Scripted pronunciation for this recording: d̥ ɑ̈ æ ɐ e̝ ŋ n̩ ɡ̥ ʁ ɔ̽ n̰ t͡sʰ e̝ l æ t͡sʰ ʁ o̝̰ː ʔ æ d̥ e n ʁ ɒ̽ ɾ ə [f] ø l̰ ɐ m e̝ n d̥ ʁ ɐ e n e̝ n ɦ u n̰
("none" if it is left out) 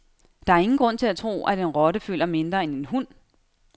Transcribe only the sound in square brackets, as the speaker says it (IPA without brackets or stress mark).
f